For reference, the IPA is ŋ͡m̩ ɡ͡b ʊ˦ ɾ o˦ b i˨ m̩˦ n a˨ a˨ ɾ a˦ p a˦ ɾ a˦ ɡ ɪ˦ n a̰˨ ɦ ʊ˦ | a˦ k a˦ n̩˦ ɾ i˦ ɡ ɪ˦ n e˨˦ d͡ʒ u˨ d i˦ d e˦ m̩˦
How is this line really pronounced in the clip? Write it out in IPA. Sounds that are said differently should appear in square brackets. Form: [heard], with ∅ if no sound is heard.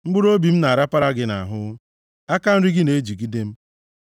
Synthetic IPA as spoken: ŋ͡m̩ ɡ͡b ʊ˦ ɾ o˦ b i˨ m̩˦ n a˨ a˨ ɾ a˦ p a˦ ɾ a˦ ɡ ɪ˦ n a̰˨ ɦ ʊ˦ | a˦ k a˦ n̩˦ ɾ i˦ ɡ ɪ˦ n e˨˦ d͡ʒ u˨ [ɡ] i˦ d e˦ m̩˦